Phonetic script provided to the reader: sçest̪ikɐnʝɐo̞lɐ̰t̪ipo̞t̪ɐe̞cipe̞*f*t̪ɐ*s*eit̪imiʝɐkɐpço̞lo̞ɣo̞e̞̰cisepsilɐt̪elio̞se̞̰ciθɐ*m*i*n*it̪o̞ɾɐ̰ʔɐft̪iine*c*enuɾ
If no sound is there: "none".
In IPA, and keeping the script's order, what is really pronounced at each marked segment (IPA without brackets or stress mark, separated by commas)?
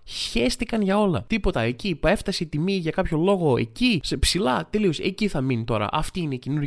f, s, m, n, c